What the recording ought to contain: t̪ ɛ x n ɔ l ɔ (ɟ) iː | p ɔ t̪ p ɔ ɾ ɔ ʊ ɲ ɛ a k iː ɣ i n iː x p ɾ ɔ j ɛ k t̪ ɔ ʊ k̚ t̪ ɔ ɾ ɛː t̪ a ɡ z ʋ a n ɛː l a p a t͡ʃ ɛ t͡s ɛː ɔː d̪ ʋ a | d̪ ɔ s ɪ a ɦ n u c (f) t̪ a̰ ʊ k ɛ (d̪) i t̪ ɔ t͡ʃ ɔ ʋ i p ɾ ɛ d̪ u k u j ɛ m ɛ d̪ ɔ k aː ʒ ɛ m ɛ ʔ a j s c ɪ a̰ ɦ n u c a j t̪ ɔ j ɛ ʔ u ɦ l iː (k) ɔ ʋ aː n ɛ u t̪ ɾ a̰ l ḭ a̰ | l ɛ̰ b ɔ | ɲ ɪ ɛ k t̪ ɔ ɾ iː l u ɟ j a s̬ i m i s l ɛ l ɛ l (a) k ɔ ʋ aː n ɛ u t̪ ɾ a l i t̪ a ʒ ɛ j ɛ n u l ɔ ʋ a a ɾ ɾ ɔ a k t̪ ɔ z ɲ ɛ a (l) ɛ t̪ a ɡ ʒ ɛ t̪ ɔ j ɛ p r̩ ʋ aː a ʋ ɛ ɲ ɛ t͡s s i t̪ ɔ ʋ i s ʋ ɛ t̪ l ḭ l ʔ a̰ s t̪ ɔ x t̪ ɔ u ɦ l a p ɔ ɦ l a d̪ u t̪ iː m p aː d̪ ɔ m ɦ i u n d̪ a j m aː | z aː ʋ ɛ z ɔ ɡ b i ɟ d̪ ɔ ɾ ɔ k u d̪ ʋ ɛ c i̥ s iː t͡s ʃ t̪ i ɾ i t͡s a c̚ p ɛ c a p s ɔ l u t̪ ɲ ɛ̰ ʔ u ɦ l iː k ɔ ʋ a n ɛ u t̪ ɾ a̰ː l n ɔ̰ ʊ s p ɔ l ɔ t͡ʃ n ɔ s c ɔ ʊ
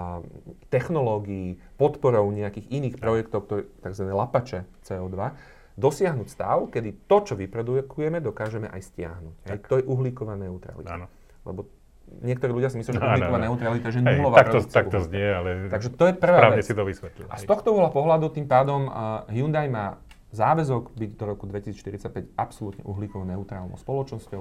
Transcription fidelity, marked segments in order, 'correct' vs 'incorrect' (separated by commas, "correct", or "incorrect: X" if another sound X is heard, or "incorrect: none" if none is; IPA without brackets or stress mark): incorrect: ɡ, incorrect: s, correct, correct, incorrect: i, correct